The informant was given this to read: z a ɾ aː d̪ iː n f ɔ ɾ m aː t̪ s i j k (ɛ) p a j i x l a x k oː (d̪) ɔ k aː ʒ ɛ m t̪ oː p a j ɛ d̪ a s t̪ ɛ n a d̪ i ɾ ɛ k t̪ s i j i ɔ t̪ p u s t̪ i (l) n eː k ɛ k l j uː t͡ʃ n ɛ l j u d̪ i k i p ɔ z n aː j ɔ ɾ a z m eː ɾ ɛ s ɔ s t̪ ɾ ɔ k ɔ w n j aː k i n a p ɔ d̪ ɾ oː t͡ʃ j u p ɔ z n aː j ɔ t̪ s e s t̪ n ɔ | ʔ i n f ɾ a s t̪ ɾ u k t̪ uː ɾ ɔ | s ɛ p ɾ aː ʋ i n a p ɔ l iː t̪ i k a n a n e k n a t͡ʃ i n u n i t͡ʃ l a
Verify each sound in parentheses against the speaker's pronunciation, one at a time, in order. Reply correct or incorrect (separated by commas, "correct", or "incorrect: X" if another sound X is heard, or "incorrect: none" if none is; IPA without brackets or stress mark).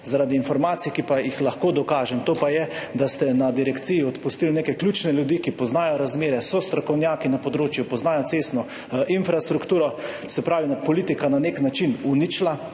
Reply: incorrect: i, correct, correct